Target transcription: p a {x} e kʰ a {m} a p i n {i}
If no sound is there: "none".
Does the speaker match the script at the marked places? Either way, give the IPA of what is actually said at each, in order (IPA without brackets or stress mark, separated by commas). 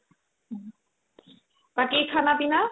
k, n, a